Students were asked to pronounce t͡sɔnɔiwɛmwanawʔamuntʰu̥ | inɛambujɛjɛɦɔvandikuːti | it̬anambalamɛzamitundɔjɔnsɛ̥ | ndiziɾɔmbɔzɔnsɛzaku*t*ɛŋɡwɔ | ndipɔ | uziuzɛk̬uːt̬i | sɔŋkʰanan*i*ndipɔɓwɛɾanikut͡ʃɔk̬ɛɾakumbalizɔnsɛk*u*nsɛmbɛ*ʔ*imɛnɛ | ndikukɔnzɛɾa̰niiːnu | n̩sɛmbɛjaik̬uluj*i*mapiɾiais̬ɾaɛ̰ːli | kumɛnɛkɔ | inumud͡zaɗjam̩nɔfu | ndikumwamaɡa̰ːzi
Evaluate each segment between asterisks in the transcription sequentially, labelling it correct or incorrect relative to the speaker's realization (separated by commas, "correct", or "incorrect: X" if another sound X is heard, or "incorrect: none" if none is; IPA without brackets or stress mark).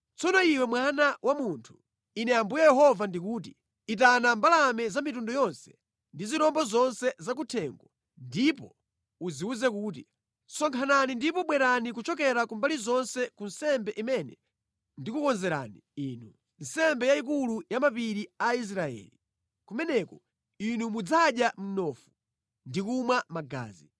incorrect: tʰ, correct, correct, correct, incorrect: a